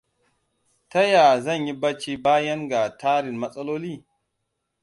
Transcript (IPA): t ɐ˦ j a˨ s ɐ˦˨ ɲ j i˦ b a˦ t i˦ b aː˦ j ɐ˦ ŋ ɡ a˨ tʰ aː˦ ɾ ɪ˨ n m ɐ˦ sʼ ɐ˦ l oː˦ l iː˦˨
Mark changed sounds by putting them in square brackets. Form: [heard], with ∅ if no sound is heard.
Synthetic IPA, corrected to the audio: t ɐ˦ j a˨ [z] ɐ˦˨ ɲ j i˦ b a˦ [t͡ʃ] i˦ b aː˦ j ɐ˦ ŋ ɡ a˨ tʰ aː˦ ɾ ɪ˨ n m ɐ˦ sʼ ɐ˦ l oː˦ l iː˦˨